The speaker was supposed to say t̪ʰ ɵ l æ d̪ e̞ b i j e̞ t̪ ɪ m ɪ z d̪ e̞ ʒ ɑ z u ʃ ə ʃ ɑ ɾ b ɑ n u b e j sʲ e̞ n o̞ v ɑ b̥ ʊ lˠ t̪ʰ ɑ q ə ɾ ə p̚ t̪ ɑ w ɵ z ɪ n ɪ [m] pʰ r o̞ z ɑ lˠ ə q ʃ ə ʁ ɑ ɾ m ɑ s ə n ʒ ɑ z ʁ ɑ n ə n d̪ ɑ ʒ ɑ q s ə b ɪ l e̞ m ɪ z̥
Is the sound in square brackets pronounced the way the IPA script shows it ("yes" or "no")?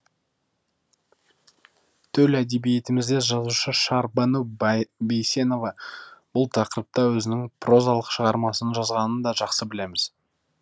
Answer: no